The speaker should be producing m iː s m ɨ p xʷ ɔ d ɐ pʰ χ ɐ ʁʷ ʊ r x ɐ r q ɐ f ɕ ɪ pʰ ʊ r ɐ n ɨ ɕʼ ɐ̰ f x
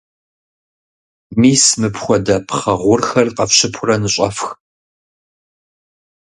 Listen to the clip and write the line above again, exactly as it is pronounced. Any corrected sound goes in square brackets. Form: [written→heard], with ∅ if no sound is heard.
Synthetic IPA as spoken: m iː s m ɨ p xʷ ɔ d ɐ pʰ χ ɐ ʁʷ ʊ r x ɐ r q ɐ f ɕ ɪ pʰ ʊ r ɐ n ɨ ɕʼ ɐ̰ f x